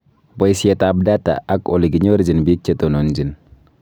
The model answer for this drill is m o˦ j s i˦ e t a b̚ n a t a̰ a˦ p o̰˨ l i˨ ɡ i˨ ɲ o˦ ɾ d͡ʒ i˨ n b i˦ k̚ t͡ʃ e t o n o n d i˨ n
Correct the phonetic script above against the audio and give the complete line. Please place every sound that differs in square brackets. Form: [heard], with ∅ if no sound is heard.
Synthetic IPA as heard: [b] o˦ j s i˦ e t a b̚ [d] a t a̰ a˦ [k] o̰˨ l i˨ ɡ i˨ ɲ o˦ ɾ d͡ʒ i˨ n b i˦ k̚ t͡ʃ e t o n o n [d͡ʒ] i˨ n